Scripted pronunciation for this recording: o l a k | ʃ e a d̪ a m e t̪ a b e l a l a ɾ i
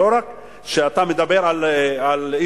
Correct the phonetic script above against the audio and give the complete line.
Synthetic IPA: o ɾ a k | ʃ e a t̪ a m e d̪ a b e ɾ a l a l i

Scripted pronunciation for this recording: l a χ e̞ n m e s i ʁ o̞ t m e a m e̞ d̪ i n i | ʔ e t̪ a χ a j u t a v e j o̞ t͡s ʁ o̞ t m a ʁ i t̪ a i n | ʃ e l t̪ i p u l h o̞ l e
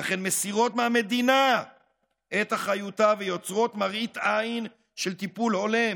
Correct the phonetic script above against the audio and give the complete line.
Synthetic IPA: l a χ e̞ n m e s i ʁ o̞ t m e a m e̞ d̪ i n a | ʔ e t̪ a χ a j u t a v e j o̞ t͡s ʁ o̞ t m a ʁ i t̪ a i n | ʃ e l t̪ i p u l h o̞ l e

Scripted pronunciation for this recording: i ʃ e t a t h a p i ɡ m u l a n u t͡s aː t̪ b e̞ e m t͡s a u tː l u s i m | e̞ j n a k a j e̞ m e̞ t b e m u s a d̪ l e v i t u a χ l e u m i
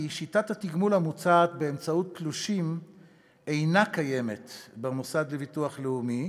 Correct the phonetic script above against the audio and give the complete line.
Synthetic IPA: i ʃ i t a t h a t i ɡ m u l a m u t͡s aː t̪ b e̞ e m t͡s a u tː l u ʃ i m | e̞ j n a k a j e̞ m e̞ t b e m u s a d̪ l e v i t u a χ l e u m i

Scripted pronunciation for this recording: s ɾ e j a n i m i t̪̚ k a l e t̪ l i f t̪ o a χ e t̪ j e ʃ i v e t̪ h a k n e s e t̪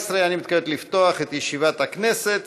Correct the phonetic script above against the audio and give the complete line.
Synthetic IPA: s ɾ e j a n i m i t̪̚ k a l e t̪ l i f t̪ o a χ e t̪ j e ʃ i v a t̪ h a k n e s e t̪

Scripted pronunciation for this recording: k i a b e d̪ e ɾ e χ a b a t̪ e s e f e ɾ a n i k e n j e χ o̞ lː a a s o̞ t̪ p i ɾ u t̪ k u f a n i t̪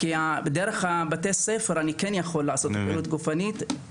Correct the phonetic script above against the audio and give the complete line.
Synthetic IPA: k i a b e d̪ e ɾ e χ a b a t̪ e s e f e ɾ a n i k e n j a χ o̞ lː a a s o̞ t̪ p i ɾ u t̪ ɡ u f a n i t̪

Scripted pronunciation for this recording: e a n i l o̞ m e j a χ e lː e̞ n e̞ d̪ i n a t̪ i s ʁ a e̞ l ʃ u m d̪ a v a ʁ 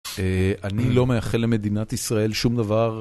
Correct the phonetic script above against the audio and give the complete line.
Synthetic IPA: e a n i l o̞ m e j a χ e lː e̞ m e̞ d̪ i n a t̪ i s ʁ a e̞ l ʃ u m d̪ a v a ʁ

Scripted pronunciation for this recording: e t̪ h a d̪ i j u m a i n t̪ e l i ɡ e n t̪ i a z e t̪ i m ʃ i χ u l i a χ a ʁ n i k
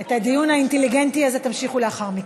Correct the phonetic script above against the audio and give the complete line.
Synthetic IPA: e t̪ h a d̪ i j u n a i n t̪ e l i ɡ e n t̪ i a z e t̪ a m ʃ i χ u l e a χ a ʁ m i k

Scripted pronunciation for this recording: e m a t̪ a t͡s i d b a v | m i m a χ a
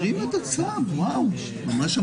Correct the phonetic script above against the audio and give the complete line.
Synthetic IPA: i m e t̪ a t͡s a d w a w | m a m a ʃ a

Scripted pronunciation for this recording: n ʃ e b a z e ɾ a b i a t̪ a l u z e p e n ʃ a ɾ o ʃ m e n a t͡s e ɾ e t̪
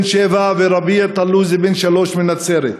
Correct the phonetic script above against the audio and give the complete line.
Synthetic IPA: n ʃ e v a v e ɾ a b i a t̪ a l u z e b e n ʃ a l o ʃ m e n a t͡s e ɾ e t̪

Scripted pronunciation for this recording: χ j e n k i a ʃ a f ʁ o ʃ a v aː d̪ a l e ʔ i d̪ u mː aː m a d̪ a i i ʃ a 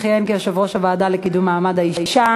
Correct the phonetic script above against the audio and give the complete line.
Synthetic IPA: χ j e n k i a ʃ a v ʁ o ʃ a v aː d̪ a l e k i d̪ u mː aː m a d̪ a i i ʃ a

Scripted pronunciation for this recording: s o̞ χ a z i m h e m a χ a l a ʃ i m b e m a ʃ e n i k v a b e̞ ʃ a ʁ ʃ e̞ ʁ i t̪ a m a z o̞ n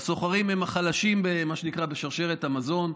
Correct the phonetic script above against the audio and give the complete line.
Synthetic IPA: s o̞ χ a ʁ i m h e m a χ a l a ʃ i m b e m a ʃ e n i k ʁ a b e̞ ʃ a ʁ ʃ e̞ ʁ e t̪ a m a z o̞ n

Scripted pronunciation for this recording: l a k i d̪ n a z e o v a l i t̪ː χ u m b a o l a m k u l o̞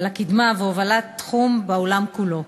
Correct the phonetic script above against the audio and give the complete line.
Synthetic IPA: l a k i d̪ m a v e o v a l a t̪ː χ u m b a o l a m k u l o̞

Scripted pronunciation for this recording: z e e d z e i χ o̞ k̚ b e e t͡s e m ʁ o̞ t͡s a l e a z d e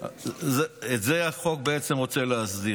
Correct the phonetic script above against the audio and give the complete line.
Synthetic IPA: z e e t z e a χ o̞ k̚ b e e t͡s e m ʁ o̞ t͡s e l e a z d i

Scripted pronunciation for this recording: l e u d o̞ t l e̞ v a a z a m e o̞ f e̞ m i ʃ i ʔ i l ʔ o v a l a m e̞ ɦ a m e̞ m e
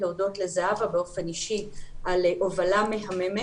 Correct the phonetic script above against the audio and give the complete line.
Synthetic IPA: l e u d o̞ t l e̞ z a a v a b e o̞ f e̞ n i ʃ i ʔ a l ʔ o v a l a m e̞ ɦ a m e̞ m e

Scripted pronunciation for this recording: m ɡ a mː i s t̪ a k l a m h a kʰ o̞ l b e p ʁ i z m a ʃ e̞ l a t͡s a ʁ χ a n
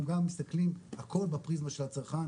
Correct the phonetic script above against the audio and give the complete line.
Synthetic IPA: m ɡ a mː i s t̪ a k l i m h a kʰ o̞ l b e p ʁ i z m a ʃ e̞ l a t͡s a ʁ χ a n

